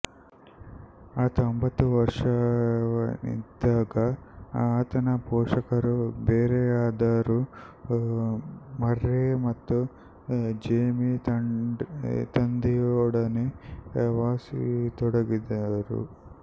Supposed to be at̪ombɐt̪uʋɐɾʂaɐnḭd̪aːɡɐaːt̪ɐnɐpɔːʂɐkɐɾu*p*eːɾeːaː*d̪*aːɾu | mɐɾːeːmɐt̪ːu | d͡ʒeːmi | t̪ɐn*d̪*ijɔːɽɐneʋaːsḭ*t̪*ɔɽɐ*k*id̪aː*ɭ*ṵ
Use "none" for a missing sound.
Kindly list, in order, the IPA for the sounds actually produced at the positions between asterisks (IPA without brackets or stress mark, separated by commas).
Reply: b, d̪, d̪, t̪, ɡ, ɾ